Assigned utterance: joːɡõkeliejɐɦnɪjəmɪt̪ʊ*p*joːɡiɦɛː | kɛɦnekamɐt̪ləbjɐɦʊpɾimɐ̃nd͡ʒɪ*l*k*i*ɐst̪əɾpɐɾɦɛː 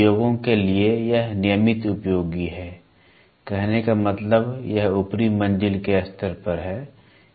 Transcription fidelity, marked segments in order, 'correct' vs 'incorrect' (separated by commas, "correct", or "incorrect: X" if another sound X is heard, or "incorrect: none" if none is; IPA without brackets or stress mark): correct, correct, incorrect: e